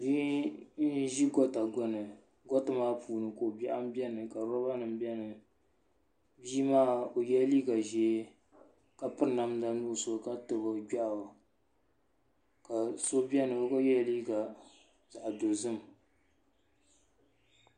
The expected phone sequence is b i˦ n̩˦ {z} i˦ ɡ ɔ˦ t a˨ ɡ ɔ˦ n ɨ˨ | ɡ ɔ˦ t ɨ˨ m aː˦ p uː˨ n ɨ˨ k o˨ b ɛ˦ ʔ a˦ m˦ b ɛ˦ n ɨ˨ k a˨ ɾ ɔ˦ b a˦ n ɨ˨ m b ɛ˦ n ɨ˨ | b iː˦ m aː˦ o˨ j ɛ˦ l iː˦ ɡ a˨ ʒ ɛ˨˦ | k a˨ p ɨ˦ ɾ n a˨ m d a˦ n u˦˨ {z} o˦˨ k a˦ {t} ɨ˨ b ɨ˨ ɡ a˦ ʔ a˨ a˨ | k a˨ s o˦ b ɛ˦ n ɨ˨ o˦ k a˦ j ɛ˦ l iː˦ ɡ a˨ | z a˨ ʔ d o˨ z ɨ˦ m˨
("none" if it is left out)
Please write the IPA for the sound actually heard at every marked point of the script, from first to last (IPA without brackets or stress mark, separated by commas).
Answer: ʒ, s, t